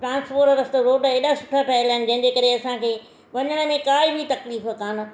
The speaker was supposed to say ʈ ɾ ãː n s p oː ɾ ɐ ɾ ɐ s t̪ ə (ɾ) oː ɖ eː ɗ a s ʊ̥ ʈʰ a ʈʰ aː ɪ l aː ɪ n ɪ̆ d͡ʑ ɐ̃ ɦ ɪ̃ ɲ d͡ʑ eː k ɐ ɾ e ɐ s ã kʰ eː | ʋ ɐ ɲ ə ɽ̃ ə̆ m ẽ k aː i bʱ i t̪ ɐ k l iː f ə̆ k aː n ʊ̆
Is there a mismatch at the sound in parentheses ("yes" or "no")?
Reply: no